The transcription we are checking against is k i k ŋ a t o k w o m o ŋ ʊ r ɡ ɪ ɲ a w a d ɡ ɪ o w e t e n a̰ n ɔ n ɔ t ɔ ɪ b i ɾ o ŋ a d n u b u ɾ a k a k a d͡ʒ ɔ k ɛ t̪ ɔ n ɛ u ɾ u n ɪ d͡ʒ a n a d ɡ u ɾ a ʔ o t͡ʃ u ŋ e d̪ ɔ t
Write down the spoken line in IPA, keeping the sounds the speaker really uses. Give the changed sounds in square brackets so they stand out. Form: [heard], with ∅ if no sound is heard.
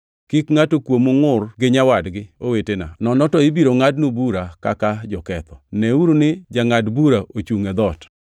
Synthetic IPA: k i k ŋ a t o k w o m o ŋ ʊ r ɡ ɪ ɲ a w a d ɡ ɪ o w e t e n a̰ n ɔ n ɔ t ɔ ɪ b i ɾ o ŋ a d n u b u ɾ a k a k a d͡ʒ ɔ k ɛ t̪ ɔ n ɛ u ɾ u n ɪ d͡ʒ a [ŋ] a d [b] u ɾ a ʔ o t͡ʃ u ŋ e d̪ ɔ t

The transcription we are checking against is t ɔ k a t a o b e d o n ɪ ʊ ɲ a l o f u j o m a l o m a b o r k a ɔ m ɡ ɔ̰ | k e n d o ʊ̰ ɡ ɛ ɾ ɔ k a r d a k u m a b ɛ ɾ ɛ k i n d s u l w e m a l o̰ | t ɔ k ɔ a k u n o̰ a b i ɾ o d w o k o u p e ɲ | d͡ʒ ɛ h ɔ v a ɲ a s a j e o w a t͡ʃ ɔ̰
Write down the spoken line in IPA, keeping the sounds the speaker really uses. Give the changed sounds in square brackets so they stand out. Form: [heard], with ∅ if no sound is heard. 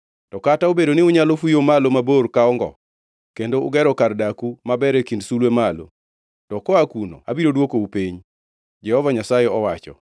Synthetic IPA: t ɔ k a t a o b e d o n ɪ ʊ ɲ a l o f u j o m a l o m a b o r k a ɔ [ŋ] ɡ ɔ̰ | k e n d o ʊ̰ ɡ ɛ ɾ ɔ k a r d a k u m a b ɛ ɾ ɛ k i n d s u l w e m a l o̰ | t ɔ k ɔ a k u n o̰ a b i ɾ o d w o k o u p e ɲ | d͡ʒ ɛ h ɔ v a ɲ a s a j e [ɔ] w a t͡ʃ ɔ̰

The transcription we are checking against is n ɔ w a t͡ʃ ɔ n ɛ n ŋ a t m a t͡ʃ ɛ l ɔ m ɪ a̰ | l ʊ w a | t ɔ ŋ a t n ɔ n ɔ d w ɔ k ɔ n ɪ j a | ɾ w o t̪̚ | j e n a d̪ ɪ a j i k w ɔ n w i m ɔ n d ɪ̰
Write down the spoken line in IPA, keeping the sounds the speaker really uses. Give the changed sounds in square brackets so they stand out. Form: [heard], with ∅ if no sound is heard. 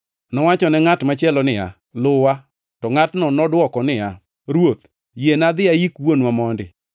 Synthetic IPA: n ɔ w a t͡ʃ ɔ n ɛ [∅] ŋ a t m a t͡ʃ ɛ l ɔ [n] ɪ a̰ | l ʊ w a | t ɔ ŋ a t n ɔ n ɔ d w ɔ k ɔ n ɪ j a | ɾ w o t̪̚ | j e n a d̪ ɪ a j i k w [o] n w [a] m ɔ n d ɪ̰

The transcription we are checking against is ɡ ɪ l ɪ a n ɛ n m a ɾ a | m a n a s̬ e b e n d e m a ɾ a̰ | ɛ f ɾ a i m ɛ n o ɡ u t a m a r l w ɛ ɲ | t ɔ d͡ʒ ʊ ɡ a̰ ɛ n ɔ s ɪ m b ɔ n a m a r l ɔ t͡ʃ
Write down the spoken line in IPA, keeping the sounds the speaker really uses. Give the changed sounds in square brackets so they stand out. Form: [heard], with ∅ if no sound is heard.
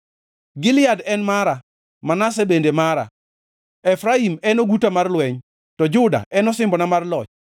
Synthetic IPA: ɡ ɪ l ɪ a [d] ɛ n m a ɾ a | m a n a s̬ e b e n d e m a ɾ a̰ | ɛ f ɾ a i m ɛ n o ɡ u t a m a r l w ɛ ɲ | t ɔ d͡ʒ ʊ [d] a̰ ɛ n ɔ s ɪ m b ɔ n a m a r l ɔ t͡ʃ

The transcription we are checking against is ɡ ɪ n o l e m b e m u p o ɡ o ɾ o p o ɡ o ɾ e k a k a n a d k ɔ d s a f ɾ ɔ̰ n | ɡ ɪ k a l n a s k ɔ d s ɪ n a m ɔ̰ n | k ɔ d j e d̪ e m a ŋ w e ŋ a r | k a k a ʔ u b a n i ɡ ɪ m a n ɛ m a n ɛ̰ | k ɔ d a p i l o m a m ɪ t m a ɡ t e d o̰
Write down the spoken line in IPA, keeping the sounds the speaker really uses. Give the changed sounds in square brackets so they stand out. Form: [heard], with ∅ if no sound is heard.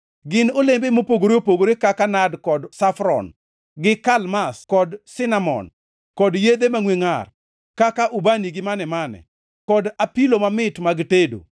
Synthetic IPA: ɡ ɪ n o l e m b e m [o] p o ɡ o ɾ o p o ɡ o ɾ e k a k a n a d k ɔ d s a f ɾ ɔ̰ n | ɡ ɪ k a l [m] a s k ɔ d s ɪ n a m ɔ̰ n | k ɔ d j e d̪ e m a ŋ w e ŋ a r | k a k a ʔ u b a n i ɡ ɪ m a n ɛ m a n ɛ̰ | k ɔ d a p i l o m a m ɪ t m a ɡ t e d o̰

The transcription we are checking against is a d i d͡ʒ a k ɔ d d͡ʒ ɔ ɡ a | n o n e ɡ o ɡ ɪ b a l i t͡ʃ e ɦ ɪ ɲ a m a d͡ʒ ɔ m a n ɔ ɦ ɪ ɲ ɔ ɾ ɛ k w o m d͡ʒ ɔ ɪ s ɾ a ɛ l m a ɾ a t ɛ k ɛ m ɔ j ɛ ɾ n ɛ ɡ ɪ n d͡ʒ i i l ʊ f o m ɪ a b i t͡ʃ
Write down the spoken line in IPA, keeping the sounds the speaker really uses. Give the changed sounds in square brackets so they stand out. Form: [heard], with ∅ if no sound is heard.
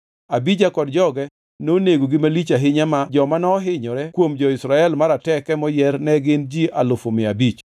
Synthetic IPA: a [b] i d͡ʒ a k ɔ d d͡ʒ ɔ ɡ [ɛ] | n o n e ɡ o ɡ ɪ [m] a l i t͡ʃ [a] ɦ ɪ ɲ a m a d͡ʒ ɔ m a n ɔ ɦ ɪ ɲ ɔ ɾ ɛ k w o m d͡ʒ ɔ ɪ s ɾ a ɛ l m a ɾ a t ɛ k ɛ m ɔ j ɛ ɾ n ɛ ɡ ɪ n d͡ʒ i [a] l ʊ f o m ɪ a b i t͡ʃ

